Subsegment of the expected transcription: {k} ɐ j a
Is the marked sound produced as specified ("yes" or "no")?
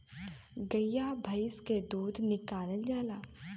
no